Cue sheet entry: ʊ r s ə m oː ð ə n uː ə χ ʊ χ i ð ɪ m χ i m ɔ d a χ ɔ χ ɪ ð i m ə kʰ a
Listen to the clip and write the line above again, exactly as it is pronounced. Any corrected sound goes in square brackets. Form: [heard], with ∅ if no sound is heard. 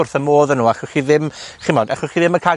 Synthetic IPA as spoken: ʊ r [θ] ə m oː ð ə n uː [a] χ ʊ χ i ð ɪ m χ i m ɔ d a χ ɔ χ [i] ð [ɪ] m ə kʰ a